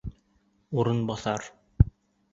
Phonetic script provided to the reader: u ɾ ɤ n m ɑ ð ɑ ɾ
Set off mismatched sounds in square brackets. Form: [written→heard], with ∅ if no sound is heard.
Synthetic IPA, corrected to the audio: u ɾ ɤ n [m→b] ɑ [ð→θ] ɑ ɾ